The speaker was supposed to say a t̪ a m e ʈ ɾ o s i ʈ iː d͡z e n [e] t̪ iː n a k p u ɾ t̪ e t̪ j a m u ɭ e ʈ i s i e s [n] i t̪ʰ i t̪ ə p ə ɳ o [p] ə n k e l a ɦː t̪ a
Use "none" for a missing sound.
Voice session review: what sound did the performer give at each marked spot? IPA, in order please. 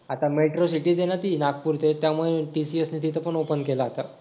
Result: a, n, p

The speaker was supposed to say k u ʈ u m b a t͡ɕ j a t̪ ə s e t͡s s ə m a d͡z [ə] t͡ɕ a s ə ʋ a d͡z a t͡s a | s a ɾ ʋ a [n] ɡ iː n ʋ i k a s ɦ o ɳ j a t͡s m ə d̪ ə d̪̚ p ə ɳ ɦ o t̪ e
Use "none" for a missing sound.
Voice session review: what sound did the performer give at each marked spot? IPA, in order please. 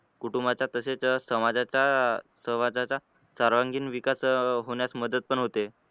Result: a, ŋ

